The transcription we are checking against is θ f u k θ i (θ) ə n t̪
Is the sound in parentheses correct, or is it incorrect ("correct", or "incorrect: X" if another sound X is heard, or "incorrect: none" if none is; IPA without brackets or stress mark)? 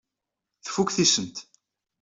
incorrect: s